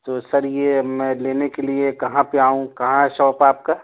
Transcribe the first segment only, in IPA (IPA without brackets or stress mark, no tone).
t̪